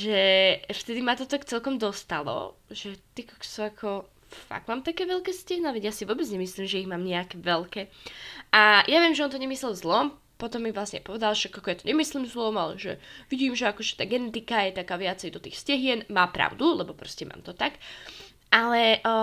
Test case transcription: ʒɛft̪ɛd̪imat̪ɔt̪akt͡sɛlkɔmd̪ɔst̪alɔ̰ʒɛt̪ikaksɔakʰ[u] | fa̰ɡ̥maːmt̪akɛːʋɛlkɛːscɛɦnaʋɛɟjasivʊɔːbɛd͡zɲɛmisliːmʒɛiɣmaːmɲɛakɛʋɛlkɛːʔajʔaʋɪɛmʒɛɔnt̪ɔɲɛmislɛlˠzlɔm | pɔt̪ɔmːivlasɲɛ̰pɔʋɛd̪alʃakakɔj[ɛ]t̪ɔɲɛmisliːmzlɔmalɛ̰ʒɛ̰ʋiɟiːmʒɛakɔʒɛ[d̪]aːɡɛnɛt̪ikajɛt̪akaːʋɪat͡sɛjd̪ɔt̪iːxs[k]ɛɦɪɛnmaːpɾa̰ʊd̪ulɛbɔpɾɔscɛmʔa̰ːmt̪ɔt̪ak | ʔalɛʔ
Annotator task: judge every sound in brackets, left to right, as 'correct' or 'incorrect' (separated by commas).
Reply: incorrect, incorrect, incorrect, incorrect